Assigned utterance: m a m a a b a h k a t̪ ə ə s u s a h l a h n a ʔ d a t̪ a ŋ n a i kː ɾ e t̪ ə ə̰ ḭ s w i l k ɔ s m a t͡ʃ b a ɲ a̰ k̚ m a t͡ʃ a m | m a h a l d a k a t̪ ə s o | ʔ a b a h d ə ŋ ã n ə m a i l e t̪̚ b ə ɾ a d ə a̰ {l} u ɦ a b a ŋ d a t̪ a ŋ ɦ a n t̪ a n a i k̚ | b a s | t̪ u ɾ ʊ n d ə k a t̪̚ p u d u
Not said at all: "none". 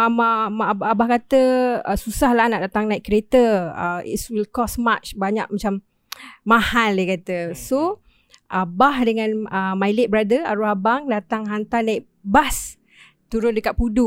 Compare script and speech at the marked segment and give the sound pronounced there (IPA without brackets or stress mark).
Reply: ɾ